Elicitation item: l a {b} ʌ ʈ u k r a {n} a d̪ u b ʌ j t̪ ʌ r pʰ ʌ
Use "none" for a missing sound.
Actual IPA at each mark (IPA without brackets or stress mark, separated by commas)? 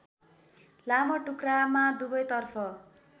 m, m